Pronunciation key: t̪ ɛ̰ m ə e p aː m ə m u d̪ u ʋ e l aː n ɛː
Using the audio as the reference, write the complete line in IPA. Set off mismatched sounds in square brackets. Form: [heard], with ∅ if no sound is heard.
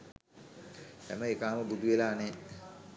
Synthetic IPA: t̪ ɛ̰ m ə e [k] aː m ə [b] u d̪ u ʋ e l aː n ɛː